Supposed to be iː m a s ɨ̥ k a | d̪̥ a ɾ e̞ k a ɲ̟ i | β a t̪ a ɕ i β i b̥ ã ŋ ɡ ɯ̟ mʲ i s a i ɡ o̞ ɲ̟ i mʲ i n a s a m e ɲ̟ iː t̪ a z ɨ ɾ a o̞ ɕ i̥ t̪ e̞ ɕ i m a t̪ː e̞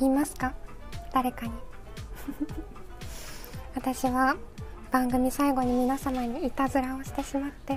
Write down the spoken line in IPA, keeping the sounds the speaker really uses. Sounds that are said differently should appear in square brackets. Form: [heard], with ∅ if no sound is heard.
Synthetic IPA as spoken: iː m a s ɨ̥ k a | d̪̥ a ɾ e̞ k a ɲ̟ i | β a t̪ a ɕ i β [a] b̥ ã ŋ ɡ ɯ̟ mʲ i s a i ɡ o̞ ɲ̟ i mʲ i n a s a m [a] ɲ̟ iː t̪ a z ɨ ɾ a o̞ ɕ i̥ t̪ e̞ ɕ i m a t̪ː e̞